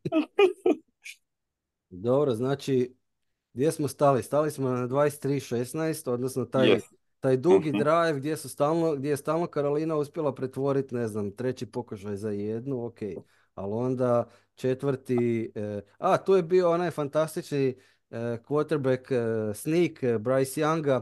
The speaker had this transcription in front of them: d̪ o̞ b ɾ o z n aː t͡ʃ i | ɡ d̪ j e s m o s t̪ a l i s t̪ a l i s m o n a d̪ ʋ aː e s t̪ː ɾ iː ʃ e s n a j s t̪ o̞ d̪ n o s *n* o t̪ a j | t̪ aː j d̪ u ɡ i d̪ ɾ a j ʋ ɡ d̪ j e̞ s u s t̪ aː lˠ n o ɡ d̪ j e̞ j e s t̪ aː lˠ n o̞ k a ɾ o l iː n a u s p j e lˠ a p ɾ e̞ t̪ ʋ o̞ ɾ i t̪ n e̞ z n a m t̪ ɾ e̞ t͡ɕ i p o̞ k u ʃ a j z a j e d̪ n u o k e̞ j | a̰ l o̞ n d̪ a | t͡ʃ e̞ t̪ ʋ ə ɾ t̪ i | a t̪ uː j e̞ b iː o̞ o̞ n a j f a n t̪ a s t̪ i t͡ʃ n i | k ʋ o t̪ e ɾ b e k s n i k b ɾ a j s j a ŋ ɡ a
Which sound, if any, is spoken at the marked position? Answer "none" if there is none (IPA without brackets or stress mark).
n